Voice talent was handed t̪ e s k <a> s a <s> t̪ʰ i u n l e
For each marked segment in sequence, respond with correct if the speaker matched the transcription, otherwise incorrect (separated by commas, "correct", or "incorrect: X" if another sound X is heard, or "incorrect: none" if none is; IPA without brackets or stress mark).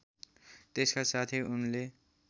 correct, incorrect: none